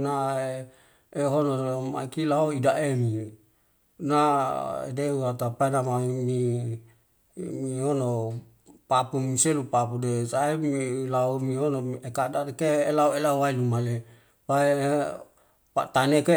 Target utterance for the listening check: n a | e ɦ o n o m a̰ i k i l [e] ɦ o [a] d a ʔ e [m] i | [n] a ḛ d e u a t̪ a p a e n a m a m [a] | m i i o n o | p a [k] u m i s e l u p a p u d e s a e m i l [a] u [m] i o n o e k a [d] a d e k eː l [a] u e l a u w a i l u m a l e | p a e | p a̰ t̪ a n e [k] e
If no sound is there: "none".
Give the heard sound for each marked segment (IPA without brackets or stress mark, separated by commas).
a, i, m, n, i, p, a, m, d, a, k